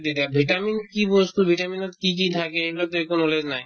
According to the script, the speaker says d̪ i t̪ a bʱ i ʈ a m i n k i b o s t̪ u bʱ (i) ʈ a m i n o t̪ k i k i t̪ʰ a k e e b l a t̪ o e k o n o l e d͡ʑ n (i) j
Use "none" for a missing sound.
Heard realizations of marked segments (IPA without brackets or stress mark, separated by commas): i, a